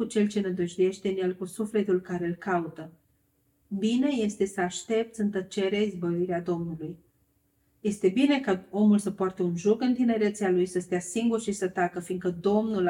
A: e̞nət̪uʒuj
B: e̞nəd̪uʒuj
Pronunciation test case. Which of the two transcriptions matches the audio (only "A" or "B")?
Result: B